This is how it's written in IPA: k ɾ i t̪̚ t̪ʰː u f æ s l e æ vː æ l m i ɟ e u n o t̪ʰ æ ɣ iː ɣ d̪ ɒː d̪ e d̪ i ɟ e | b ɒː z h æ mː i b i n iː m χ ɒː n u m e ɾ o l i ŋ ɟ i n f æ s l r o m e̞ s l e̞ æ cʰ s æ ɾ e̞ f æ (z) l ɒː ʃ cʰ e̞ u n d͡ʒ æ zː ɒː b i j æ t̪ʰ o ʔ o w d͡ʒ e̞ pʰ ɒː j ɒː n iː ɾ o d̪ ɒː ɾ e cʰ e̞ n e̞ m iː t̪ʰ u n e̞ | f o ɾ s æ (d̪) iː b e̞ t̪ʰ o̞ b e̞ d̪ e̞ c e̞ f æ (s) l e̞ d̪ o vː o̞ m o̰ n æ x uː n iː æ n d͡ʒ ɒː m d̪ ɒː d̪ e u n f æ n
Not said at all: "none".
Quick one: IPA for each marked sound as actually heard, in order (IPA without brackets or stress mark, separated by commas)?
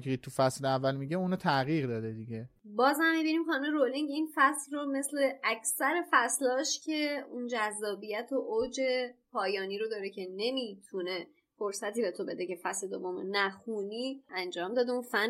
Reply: s, t̪, s